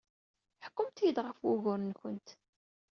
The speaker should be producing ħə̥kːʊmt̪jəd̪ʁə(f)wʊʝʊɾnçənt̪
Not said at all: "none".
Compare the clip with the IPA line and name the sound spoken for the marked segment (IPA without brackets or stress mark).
f